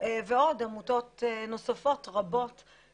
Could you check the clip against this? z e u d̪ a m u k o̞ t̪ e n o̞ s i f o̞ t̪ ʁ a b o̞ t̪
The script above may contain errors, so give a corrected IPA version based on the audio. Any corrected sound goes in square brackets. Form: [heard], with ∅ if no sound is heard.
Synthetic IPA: [v] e [o] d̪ a m u [t] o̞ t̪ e n o̞ s [a] f o̞ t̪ ʁ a b o̞ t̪